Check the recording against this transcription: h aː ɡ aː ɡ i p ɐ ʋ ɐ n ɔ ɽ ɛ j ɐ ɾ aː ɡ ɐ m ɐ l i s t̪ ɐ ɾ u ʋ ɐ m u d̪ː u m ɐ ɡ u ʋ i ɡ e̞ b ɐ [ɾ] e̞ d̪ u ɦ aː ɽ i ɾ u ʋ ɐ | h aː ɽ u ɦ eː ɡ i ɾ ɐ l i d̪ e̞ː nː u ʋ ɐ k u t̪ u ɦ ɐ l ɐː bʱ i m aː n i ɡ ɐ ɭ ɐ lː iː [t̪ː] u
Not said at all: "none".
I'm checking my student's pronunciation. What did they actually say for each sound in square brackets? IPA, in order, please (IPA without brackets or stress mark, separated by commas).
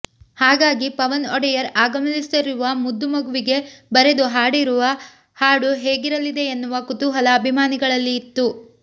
ɾ, t̪ː